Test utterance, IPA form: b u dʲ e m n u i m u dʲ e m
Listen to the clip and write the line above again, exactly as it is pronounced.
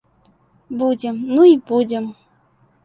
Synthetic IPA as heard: b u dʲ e m n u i b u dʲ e m